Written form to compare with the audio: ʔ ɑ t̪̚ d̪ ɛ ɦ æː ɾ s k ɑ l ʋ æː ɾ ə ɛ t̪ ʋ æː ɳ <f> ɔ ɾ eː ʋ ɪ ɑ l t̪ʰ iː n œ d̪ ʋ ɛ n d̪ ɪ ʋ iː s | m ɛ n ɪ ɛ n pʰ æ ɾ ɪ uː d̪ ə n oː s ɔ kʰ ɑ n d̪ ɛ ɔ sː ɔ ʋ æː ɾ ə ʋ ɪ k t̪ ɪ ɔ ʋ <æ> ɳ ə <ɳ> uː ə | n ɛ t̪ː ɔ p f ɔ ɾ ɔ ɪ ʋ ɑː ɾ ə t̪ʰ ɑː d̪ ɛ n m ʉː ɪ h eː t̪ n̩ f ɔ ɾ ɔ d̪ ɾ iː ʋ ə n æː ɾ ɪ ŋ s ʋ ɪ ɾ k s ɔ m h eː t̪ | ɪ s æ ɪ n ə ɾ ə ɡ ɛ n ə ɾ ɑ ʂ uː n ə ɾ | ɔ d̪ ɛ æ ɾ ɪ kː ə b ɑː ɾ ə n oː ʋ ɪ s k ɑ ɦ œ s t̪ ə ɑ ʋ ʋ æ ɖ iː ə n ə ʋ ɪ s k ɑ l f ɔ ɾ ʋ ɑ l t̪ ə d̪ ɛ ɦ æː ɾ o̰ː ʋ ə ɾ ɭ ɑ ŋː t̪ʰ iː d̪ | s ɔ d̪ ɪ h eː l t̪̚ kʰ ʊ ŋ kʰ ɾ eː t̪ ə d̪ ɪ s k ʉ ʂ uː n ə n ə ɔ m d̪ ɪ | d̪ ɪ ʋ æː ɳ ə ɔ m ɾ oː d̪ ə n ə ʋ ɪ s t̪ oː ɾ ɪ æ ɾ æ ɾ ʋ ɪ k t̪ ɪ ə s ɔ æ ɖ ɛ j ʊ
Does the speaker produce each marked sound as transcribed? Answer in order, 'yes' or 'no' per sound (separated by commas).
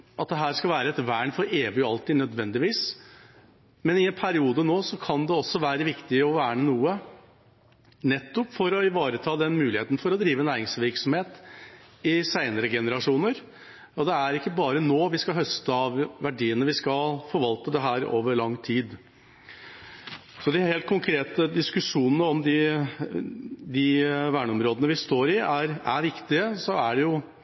yes, no, no